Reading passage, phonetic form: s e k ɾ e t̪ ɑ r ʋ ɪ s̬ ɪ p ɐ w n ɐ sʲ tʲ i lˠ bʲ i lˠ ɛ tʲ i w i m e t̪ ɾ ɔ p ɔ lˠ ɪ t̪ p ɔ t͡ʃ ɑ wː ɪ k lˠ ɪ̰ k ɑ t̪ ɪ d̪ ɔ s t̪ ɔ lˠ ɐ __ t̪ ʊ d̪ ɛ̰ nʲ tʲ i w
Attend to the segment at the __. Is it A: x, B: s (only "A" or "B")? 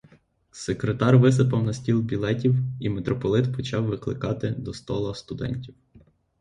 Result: B